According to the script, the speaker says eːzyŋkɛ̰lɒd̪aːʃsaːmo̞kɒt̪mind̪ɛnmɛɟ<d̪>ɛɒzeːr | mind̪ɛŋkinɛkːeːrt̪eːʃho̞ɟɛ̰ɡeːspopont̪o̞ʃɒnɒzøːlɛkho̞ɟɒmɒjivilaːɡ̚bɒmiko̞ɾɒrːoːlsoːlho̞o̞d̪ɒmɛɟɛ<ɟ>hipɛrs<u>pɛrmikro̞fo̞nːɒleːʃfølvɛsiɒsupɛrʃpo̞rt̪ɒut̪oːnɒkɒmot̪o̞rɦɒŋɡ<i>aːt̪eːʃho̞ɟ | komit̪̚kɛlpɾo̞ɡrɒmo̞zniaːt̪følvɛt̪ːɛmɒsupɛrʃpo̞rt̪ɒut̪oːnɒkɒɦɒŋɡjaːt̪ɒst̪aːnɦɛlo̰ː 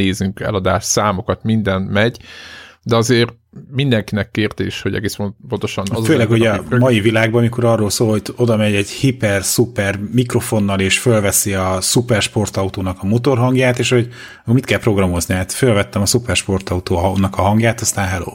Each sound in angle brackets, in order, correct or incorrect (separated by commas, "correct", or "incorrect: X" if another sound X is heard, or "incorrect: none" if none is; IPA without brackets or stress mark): correct, correct, correct, incorrect: j